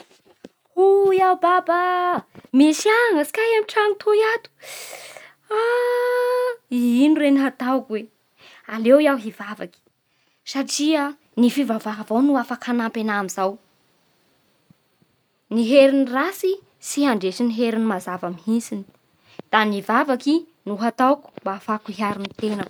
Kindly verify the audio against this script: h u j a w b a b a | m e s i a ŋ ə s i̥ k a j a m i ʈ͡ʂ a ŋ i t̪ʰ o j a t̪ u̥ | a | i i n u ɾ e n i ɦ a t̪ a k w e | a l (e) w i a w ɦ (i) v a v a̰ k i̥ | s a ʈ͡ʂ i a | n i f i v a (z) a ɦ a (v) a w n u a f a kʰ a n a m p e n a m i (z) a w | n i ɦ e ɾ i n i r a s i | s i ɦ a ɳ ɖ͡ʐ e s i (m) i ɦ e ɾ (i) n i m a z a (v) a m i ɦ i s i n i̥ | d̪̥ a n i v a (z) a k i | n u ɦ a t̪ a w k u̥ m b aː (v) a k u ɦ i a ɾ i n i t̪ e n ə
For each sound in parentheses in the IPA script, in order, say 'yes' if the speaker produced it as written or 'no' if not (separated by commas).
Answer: yes, yes, no, yes, yes, no, yes, yes, no, no